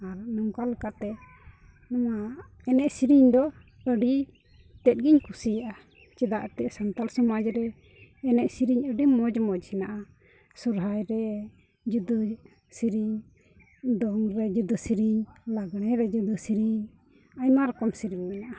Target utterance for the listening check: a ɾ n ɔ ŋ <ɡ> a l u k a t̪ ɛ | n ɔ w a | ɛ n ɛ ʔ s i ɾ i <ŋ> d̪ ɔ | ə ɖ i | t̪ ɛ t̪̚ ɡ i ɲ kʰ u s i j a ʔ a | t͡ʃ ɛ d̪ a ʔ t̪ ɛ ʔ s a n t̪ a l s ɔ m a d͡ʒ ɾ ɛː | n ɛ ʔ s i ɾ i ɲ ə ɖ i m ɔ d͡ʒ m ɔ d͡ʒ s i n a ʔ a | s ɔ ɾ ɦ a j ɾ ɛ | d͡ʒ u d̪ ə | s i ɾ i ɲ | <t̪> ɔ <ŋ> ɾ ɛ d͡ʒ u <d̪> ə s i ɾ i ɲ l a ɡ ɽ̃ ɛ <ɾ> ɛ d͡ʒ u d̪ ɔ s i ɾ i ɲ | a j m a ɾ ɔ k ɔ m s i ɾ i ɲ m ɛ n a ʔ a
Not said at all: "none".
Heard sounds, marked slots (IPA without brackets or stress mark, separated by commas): k, ɲ, d̪, ŋ, d̪, ɾ